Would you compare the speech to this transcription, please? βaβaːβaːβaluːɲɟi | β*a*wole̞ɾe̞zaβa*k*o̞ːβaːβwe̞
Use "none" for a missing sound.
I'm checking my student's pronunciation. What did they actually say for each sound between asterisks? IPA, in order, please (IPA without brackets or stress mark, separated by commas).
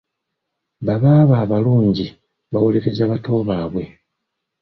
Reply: a, t